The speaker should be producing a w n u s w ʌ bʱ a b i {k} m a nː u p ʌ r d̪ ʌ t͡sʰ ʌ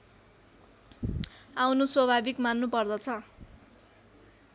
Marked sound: correct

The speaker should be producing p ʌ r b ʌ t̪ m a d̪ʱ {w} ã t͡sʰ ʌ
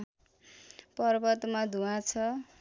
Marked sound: incorrect: u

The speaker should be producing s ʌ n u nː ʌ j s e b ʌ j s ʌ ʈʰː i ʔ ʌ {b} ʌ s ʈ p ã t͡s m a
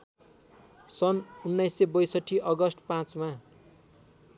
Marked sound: incorrect: ɡ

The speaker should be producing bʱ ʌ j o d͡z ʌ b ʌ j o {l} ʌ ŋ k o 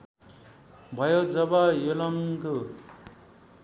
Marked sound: correct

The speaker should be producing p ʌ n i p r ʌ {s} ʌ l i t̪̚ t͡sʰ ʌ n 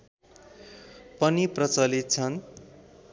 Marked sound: incorrect: t͡s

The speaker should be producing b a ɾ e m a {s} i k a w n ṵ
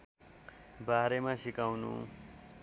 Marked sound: correct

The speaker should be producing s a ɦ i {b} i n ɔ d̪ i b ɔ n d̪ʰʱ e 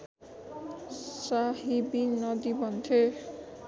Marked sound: correct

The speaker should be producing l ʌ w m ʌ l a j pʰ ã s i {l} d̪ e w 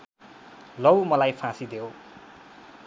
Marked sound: incorrect: none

